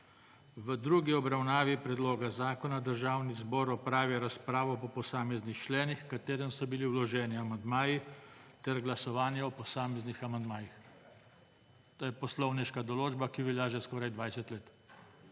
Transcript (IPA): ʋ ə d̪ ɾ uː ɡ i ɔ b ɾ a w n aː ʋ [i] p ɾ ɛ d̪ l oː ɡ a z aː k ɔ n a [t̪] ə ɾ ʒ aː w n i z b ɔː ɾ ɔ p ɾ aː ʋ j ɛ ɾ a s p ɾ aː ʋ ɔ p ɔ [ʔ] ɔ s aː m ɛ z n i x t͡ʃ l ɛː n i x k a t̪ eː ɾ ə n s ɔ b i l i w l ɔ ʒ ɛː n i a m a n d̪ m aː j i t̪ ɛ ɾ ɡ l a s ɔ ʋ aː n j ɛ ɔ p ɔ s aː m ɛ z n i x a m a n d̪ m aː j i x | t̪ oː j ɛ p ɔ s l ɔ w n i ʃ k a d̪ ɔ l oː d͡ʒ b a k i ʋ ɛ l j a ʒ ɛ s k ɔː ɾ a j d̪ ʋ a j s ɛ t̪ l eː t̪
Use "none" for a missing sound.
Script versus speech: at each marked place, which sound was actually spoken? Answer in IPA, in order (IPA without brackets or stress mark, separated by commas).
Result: i, d̪, p